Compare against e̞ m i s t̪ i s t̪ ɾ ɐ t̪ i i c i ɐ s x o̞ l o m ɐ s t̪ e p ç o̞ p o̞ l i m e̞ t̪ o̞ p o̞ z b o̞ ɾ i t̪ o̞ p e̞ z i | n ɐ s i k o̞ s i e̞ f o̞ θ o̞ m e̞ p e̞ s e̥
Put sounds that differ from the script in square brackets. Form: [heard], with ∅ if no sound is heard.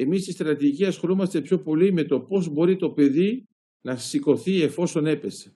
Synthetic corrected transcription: e̞ m i s t̪ i s t̪ ɾ ɐ t̪ i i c i ɐ s x o̞ l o m ɐ s t̪ e p ç o̞ p o̞ l i m e̞ t̪ o̞ p o̞ z b o̞ ɾ i t̪ o̞ p e̞ [ð] i | n ɐ s i k o̞ [θ] i e̞ f o̞ [s] o̞ [n] e̞ p e̞ s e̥